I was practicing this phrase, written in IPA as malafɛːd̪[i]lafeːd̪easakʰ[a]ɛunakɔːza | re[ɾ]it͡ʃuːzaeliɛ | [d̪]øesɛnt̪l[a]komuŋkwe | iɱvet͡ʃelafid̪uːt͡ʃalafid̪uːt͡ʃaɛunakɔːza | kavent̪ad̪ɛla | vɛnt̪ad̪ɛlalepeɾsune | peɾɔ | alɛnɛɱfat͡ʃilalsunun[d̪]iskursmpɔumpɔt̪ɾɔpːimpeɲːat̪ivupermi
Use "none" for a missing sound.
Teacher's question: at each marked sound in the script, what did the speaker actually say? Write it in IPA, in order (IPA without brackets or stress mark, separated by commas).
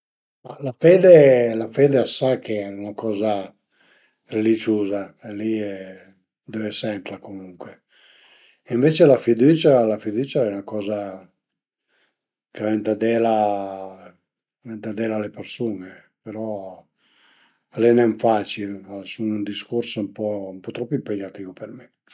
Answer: e, e, l, d̪, a, d̪